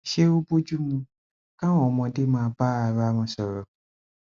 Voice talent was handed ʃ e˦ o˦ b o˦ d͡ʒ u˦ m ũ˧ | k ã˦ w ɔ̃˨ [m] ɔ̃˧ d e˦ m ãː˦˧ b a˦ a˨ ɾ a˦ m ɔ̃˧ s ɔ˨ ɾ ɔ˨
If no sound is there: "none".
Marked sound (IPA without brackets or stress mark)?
m